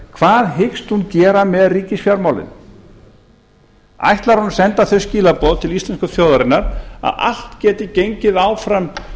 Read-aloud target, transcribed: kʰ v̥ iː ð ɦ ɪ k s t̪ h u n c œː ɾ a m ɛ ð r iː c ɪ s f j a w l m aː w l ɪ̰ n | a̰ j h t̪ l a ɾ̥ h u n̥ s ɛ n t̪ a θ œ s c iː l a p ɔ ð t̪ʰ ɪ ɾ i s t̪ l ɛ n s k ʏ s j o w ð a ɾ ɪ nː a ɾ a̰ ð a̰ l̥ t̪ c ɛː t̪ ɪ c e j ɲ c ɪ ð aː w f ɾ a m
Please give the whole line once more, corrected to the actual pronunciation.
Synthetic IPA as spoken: kʰ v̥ aː ð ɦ ɪ k s t̪ h u n c ɛː ɾ a m ɛ ð r iː c ɪ s f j a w ɾ m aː w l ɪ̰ n | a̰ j h t̪ l a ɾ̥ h u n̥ s ɛ n t̪ a θ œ s c iː l a p ɔ ð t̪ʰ ɪ l i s t̪ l ɛ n s k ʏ θ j o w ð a ɾ ɪ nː a ɾ a̰ ð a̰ l̥ t̪ c ɛː t̪ ɪ c e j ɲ c ɪ ð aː w f ɾ a m